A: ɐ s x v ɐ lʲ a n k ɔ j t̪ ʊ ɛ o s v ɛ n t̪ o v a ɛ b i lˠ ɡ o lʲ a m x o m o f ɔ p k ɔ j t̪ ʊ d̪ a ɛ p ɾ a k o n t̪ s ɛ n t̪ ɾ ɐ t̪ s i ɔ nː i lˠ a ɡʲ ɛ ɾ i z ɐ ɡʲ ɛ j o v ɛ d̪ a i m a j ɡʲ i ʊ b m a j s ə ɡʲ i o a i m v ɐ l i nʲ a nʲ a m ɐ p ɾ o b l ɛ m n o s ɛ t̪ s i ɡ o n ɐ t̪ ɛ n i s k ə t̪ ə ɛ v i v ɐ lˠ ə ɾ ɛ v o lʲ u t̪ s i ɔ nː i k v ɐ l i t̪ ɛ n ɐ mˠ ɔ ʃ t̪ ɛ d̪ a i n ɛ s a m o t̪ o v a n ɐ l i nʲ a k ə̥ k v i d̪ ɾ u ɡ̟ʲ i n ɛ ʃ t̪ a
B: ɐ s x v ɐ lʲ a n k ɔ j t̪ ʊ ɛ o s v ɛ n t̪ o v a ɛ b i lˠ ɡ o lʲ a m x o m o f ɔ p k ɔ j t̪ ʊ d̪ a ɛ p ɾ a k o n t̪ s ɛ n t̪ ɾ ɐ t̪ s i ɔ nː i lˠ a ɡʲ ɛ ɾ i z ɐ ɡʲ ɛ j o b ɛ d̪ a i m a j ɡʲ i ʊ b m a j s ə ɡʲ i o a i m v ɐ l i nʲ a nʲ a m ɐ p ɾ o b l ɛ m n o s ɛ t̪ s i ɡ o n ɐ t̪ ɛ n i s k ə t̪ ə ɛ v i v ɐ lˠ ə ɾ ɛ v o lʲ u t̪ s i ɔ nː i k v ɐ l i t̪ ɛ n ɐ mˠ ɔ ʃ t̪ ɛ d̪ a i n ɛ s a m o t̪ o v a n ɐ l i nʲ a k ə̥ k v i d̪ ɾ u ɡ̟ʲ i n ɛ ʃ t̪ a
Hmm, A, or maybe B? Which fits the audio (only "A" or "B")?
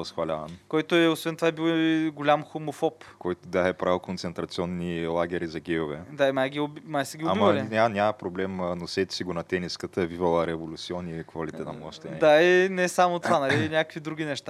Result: A